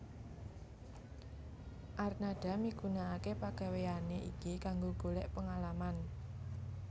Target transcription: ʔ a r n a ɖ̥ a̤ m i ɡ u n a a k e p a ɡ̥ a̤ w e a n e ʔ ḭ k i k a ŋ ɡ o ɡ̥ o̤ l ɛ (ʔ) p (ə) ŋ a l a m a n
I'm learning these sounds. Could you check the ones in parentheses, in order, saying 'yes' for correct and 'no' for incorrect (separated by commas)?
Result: yes, yes